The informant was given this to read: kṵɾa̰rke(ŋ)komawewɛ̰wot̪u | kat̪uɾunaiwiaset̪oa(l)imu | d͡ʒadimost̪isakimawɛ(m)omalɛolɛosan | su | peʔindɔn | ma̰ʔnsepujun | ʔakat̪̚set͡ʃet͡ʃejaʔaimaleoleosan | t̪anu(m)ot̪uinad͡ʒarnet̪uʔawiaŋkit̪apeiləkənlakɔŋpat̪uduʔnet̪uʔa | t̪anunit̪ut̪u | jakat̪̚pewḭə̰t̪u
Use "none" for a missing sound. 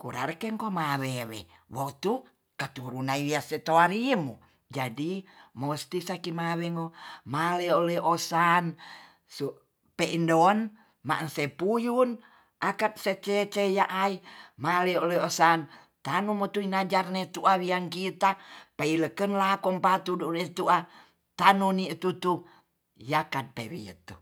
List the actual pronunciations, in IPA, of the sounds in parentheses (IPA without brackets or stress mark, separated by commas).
ŋ, ɾ, ŋ, m